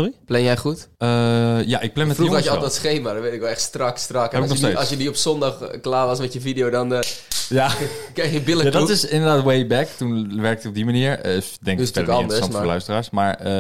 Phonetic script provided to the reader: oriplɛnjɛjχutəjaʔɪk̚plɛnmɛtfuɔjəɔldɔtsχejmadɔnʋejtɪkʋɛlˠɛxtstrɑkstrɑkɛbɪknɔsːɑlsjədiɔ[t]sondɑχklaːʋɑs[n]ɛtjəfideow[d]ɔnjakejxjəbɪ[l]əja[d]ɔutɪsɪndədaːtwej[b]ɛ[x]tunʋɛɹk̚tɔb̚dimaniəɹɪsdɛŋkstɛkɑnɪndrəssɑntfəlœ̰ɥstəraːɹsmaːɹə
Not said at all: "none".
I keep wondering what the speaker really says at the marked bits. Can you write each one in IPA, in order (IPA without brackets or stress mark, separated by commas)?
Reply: p, m, d, l, d, b, k